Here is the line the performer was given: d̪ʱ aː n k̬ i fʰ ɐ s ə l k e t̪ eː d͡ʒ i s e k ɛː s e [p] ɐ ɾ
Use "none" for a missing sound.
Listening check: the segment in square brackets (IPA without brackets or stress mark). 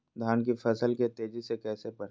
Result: p